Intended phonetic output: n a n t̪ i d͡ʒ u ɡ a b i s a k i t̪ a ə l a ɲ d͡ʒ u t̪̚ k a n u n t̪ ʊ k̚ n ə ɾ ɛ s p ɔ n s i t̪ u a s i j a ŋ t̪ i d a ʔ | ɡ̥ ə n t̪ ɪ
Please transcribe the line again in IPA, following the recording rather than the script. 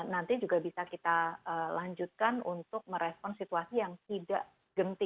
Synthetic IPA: n a n t̪ i d͡ʒ u ɡ a b i s a k i t̪ a ə l a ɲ d͡ʒ u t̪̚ k a n u n t̪ ʊ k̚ m ə ɾ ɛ s p ɔ n s i t̪ u a s i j a ŋ t̪ i d a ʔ | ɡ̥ ə n t̪ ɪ